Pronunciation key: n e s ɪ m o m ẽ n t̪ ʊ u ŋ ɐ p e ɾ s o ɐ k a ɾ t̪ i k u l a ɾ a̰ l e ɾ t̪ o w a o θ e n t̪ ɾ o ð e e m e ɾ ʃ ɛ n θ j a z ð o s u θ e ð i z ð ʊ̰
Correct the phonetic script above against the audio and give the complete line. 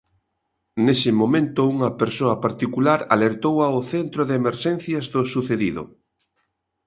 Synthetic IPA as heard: n e s ɪ m o m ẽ n t̪ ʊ u ŋ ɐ p e ɾ s o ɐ p a ɾ t̪ i k u l a ɾ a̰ l e ɾ t̪ o w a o θ e n t̪ ɾ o ð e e m e ɾ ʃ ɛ n θ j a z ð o s u θ e ð i ð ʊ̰